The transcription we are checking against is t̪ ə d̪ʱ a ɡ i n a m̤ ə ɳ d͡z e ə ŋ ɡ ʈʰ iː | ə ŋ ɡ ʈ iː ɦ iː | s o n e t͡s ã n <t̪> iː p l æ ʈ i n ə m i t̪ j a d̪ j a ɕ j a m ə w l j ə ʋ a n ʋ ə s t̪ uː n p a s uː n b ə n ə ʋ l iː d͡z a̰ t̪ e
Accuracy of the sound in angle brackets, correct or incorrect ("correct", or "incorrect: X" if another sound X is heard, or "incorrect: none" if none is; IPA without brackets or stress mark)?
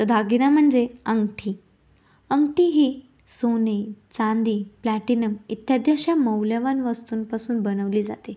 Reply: incorrect: d̪